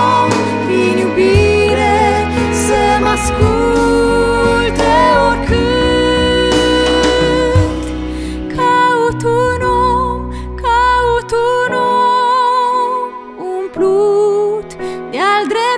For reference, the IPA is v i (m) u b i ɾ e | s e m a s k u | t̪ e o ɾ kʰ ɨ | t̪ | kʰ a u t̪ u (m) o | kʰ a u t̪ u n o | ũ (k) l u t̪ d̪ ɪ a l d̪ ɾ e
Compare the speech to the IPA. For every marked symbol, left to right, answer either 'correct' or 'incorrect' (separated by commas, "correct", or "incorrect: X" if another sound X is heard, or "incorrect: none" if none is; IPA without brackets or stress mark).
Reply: incorrect: ɲ, incorrect: n, incorrect: p